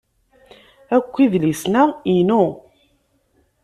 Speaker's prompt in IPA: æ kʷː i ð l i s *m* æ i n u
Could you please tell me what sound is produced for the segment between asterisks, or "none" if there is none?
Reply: n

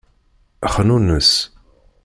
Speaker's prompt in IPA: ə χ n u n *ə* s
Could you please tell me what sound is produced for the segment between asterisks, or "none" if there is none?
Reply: ə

